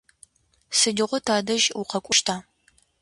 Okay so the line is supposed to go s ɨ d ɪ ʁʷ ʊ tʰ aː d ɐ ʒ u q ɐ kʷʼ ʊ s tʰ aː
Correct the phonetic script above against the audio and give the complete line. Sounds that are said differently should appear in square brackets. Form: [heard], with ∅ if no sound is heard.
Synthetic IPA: s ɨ d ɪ ʁʷ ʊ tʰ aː d ɐ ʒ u q ɐ kʷʼ ʊ [ʃ] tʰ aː